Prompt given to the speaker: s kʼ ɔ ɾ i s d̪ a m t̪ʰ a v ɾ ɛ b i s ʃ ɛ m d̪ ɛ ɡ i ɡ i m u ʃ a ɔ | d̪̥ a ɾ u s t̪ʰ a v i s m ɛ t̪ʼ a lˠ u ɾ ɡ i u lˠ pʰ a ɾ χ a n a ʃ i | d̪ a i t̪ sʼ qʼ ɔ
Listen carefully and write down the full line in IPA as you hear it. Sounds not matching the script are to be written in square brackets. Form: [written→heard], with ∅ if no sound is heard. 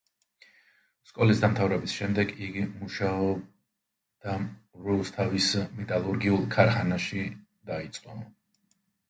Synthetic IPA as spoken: s kʼ ɔ [ɾ→l] i s d̪ a m t̪ʰ a v ɾ ɛ b i s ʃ ɛ m d̪ ɛ ɡ i ɡ i m u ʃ a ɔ | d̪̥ a ɾ u s t̪ʰ a v i s m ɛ t̪ʼ a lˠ u ɾ ɡ i u lˠ [pʰ→kʰ] a ɾ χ a n a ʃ i | d̪ a i t̪ sʼ qʼ ɔ